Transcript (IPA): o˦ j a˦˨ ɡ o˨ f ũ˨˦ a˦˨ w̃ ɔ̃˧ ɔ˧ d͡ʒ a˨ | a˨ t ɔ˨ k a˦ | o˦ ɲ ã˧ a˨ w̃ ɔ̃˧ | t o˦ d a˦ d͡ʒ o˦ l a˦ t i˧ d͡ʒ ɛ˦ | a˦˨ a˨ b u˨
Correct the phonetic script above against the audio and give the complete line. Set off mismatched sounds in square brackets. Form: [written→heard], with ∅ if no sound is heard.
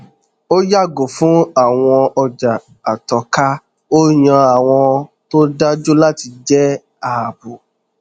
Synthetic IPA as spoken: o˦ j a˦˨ ɡ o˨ f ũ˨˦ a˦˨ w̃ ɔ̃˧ ɔ˧ d͡ʒ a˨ | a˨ t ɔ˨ k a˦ | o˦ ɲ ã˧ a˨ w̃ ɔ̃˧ | t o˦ d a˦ d͡ʒ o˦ l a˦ t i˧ d͡ʒ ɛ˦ | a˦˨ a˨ b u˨